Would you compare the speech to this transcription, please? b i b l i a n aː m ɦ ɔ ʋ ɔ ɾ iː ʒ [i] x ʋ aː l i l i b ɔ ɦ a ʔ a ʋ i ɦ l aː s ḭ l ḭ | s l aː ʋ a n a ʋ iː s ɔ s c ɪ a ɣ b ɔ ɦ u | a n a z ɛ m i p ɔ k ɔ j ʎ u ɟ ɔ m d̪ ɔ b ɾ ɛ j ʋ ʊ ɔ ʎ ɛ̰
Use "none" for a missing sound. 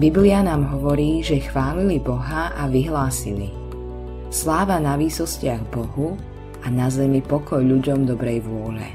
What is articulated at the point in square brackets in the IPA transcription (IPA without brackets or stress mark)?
ɛ